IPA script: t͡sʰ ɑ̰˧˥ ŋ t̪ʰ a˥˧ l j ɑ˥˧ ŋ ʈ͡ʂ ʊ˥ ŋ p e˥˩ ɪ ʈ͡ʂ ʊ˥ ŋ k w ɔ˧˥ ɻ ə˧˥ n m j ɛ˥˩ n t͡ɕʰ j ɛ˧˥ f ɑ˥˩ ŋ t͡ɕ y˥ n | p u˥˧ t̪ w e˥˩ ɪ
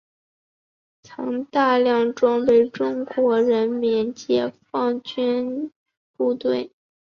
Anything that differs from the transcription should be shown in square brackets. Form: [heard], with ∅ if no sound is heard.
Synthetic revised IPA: t͡sʰ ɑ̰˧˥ ŋ [t̪] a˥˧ l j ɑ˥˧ ŋ ʈ͡ʂ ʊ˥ ŋ p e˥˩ ɪ ʈ͡ʂ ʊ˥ ŋ k w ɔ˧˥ ɻ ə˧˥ n m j [ɛ˧˥] n [t͡ɕ] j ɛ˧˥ f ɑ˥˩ ŋ t͡ɕ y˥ n | p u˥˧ t̪ w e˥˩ ɪ